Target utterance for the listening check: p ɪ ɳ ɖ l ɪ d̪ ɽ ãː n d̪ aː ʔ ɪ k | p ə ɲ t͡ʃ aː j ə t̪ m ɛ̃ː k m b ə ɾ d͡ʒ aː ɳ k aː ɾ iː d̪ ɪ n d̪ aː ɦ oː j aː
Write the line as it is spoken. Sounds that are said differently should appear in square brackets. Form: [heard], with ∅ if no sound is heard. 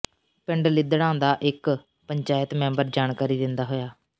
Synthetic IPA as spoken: p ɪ ɳ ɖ l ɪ d̪ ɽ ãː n d̪ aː ʔ ɪ k | p ə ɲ t͡ʃ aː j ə t̪ m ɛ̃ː [∅] m b ə ɾ d͡ʒ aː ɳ k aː ɾ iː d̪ ɪ n d̪ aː ɦ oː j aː

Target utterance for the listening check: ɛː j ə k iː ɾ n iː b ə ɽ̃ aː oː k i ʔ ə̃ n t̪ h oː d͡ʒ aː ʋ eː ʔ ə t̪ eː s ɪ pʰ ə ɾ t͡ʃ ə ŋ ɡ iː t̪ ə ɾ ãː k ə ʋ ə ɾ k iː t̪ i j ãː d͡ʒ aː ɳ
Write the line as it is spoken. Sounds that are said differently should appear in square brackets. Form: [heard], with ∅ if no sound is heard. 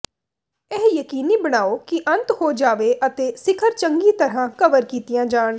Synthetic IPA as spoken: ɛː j ə k iː [∅] n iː b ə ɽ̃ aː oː k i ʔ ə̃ n t̪ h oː d͡ʒ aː ʋ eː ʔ ə t̪ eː s ɪ [kʰ] ə ɾ t͡ʃ ə ŋ ɡ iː t̪ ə ɾ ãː k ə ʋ ə ɾ k iː t̪ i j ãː d͡ʒ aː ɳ

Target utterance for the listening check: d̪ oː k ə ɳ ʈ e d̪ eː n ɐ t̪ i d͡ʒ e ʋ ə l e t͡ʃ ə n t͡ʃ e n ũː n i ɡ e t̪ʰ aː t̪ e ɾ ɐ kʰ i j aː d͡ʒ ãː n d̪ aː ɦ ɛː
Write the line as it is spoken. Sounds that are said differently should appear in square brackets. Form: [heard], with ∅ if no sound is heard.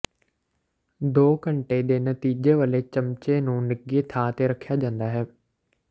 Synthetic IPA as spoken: d̪ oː k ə ɳ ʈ e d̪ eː n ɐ t̪ [iː] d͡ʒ e ʋ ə l e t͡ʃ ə [m] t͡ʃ e n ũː n [ɪ] ɡ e t̪ʰ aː t̪ e ɾ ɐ kʰ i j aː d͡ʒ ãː n d̪ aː ɦ ɛː

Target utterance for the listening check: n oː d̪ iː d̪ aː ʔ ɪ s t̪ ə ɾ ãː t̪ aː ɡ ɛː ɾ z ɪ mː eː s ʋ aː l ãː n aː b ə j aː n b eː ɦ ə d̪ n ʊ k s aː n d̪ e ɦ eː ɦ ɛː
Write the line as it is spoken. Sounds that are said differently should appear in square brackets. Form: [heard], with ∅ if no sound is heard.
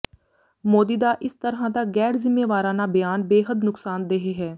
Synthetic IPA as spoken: [m] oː d̪ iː d̪ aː ʔ ɪ s t̪ ə ɾ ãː [d̪] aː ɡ ɛː ɾ z ɪ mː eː [∅] ʋ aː [ɾ] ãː n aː b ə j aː n b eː ɦ ə d̪ n ʊ k s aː n d̪ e ɦ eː ɦ ɛː

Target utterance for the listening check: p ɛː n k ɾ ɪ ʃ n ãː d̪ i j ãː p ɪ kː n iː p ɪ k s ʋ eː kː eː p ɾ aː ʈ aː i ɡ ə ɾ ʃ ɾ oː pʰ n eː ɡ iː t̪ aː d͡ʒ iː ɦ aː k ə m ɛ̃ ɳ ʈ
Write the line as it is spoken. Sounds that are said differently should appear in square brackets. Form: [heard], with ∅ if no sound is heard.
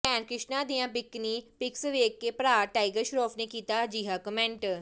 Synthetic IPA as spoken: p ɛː n k ɾ ɪ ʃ n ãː d̪ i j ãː p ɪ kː n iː p ɪ k s ʋ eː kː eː p ɾ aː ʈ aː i ɡ ə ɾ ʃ ɾ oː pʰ n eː [k] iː t̪ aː d͡ʒ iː ɦ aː k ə m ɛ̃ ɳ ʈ

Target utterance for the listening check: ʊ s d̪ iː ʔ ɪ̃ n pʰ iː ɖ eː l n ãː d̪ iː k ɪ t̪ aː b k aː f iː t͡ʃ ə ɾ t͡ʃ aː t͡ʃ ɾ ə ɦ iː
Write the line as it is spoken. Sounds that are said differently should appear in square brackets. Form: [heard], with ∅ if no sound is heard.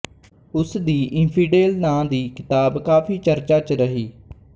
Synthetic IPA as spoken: ʊ s d̪ iː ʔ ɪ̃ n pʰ iː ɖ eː l n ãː d̪ iː k ɪ t̪ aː b k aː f iː t͡ʃ ə ɾ t͡ʃ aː t͡ʃ ɾ ə ɦ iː

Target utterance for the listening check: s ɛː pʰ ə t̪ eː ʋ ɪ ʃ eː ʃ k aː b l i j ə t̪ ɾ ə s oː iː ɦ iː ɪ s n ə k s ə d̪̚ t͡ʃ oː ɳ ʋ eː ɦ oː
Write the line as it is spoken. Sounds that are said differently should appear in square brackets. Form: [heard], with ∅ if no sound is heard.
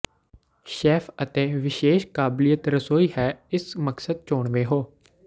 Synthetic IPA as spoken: [ʃ] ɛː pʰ ə t̪ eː ʋ ɪ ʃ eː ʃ k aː b l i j ə t̪ ɾ ə s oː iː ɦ [ɛː] ɪ s [m] ə k s ə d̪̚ t͡ʃ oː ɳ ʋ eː ɦ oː

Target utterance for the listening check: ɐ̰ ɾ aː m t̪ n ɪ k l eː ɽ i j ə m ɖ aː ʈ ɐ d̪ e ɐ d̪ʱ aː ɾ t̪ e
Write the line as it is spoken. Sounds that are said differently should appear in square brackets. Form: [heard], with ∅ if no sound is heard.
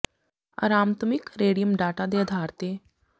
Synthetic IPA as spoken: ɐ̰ ɾ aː m t̪ [m] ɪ k [ɾ] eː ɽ i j ə m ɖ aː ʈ [a] d̪ e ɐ d̪ʱ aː ɾ t̪ e

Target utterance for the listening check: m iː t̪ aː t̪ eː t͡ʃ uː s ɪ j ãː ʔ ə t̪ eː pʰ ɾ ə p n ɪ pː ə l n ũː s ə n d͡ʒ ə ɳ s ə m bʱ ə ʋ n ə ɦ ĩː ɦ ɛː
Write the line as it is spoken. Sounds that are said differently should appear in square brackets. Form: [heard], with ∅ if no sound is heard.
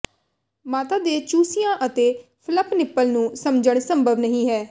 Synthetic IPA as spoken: m [aː] t̪ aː [d̪] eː t͡ʃ uː s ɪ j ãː ʔ ə t̪ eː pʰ [l] ə p n ɪ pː ə l n ũː s ə [m] d͡ʒ ə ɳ s ə m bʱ ə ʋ n ə ɦ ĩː ɦ ɛː

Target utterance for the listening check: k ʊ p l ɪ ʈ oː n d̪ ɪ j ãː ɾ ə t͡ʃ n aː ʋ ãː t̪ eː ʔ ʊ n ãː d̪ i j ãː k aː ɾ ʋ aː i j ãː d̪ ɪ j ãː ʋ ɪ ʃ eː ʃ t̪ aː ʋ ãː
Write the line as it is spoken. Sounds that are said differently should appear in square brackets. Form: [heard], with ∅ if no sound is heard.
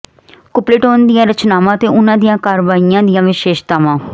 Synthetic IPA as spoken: k ʊ p l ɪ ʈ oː n d̪ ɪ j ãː ɾ ə t͡ʃ n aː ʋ ãː t̪ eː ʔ ʊ n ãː d̪ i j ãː k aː ɾ ʋ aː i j ãː d̪ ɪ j ãː ʋ ɪ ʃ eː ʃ t̪ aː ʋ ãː

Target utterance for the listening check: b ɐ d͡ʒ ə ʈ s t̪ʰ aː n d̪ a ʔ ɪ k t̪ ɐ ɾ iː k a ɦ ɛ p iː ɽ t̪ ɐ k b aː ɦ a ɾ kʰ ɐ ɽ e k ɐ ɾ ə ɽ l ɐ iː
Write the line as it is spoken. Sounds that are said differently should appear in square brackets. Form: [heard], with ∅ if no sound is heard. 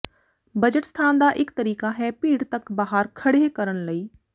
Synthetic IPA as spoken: b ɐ d͡ʒ ə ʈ s t̪ʰ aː n d̪ a ʔ ɪ k t̪ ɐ ɾ iː k a ɦ ɛ p iː ɽ t̪ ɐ k b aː ɦ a ɾ kʰ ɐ ɽ e k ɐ ɾ ə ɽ l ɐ iː

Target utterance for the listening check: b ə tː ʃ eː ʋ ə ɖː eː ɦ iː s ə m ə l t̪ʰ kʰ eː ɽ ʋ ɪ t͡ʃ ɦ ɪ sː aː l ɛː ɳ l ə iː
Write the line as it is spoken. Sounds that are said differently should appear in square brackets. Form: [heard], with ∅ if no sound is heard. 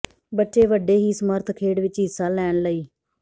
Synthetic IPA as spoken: b ə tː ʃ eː ʋ ə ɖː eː ɦ iː s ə m ə [ɾ] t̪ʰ kʰ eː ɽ ʋ ɪ t͡ʃ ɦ ɪ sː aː l ɛː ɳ l ə iː

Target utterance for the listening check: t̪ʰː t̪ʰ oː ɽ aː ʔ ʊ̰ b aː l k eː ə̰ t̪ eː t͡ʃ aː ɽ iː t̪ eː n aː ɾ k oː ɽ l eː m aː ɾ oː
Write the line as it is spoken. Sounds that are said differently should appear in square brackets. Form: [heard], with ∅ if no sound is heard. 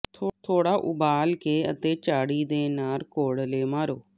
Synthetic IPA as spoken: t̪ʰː t̪ʰ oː ɽ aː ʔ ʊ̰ b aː l k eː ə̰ t̪ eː t͡ʃ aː ɽ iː [d̪] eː n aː ɾ k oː ɽ l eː m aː ɾ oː

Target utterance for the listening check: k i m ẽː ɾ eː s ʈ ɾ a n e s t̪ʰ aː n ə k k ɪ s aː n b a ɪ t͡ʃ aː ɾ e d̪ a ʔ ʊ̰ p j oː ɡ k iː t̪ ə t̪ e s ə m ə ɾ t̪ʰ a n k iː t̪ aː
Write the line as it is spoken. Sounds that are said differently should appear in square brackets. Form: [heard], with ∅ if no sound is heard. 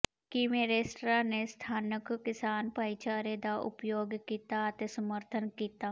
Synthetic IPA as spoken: k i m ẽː ɾ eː s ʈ ɾ a n e s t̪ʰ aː n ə k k ɪ s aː n [p] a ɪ t͡ʃ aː ɾ e d̪ a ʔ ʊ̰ p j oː ɡ k iː t̪ [a] t̪ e s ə m ə ɾ t̪ʰ [ə] n k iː t̪ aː

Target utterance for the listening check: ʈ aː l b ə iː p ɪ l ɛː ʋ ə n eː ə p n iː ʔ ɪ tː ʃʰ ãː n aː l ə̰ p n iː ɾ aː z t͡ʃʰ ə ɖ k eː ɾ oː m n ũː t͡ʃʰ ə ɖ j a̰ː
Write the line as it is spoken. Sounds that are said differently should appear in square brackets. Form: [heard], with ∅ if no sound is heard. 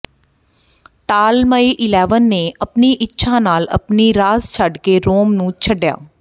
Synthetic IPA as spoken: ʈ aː l [m] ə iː [ʔ] ɪ l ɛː ʋ ə [nː] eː ə p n iː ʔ ɪ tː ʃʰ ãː n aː l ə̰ p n iː ɾ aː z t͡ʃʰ ə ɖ k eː ɾ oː m n ũː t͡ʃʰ ə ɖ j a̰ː

